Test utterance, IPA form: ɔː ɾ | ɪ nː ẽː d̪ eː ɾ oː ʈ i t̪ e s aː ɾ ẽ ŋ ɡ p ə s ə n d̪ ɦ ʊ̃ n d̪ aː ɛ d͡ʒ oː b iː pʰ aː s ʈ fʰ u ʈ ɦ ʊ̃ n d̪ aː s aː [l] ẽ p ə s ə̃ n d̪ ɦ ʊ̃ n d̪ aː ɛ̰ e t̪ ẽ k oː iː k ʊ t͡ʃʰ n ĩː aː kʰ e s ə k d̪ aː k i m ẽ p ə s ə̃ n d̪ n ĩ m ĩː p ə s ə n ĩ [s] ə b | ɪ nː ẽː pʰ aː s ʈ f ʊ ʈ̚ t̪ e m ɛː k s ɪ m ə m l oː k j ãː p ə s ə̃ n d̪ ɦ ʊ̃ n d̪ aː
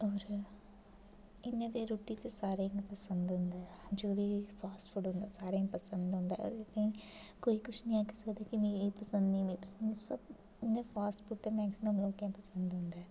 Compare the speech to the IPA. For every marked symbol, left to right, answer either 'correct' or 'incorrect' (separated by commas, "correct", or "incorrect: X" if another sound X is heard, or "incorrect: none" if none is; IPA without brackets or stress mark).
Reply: incorrect: ɾ, correct